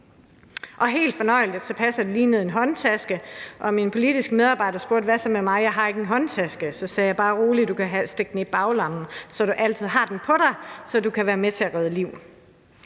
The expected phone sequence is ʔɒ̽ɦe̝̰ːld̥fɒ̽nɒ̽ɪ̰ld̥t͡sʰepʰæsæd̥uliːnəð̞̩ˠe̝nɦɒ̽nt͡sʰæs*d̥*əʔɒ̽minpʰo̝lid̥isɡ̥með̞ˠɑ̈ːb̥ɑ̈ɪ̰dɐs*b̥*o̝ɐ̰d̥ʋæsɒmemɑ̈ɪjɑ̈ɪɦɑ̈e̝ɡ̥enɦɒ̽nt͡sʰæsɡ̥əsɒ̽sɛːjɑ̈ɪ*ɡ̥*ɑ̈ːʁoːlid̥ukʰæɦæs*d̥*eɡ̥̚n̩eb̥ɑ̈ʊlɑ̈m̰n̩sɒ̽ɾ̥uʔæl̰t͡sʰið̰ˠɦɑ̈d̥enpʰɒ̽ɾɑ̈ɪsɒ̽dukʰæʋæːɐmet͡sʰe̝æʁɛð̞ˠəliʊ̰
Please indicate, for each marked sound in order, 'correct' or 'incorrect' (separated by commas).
incorrect, correct, incorrect, correct